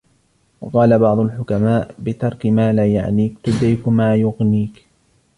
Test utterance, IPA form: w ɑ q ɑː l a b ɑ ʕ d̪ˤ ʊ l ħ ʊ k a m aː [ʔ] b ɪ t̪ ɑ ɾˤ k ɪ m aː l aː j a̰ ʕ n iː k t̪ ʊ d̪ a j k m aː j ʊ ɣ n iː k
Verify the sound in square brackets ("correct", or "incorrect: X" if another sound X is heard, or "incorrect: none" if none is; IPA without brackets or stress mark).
correct